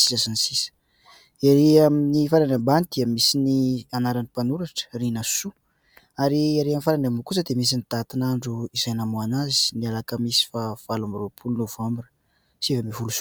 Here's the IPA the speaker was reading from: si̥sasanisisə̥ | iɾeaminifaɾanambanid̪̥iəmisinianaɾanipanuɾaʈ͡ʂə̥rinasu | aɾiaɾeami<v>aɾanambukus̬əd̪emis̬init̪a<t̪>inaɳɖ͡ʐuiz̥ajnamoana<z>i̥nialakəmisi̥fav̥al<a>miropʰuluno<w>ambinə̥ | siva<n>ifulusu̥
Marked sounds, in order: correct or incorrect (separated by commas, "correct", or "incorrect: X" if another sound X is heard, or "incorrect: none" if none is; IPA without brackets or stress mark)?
incorrect: f, correct, correct, correct, incorrect: v, incorrect: m